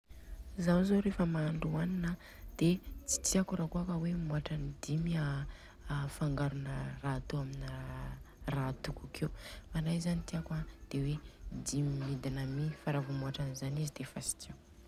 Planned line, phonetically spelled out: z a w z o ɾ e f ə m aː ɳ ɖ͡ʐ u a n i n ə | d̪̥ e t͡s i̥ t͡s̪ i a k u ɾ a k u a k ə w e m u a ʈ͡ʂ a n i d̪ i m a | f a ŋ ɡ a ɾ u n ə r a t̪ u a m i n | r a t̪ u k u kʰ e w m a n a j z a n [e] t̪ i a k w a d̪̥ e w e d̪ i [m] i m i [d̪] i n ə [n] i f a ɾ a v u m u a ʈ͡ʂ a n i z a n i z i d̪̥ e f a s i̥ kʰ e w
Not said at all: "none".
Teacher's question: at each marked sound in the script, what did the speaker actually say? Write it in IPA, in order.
i, m, d̪, m

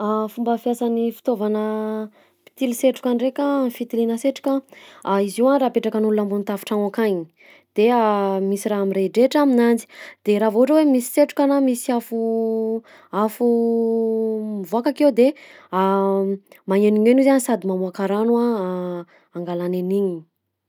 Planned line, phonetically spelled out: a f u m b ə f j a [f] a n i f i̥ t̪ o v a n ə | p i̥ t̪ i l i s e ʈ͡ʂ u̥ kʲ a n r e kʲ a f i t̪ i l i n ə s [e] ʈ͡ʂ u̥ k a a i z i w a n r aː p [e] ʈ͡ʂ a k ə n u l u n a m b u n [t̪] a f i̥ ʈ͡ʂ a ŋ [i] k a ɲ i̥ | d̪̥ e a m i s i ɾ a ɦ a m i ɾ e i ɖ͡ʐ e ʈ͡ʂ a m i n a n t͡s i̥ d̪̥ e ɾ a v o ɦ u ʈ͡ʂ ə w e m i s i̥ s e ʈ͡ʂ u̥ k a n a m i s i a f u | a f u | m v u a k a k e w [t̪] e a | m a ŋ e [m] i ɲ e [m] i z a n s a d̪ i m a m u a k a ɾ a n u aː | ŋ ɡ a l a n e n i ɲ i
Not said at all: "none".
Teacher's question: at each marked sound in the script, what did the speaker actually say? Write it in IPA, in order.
s, e, e, t̪, a, d̪, n, n

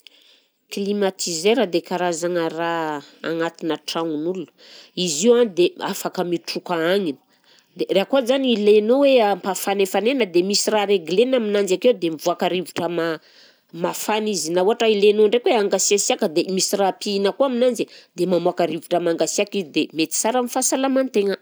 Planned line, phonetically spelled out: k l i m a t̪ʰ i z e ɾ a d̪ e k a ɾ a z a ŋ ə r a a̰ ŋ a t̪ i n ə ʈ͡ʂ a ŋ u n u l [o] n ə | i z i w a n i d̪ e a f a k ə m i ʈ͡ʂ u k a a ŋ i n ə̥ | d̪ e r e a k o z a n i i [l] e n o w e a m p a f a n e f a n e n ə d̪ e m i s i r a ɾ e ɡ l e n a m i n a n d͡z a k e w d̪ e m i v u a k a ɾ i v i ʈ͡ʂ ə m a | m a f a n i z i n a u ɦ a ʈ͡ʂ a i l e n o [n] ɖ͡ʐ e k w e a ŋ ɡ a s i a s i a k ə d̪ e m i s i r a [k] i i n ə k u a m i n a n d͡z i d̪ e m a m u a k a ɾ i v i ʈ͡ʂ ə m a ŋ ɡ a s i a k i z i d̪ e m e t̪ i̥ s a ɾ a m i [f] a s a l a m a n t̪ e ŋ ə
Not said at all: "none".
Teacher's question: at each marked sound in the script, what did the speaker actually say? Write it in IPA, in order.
u, l, ɳ, p, f

